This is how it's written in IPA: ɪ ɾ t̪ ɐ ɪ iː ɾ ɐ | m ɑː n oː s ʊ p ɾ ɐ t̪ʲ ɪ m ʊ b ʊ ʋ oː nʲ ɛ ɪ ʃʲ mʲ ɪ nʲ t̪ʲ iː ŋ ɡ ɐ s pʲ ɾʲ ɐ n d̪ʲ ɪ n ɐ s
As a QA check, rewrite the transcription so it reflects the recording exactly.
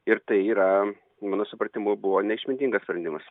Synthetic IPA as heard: ɪ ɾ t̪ ɐ ɪ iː ɾ ɐ | m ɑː n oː s ʊ p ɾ ɐ t̪ʲ ɪ m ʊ b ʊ ʋ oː nʲ ɛ ɪ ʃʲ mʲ ɪ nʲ t̪ʲ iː ŋ ɡ ɐ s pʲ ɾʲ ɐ n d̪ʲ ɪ m ɐ s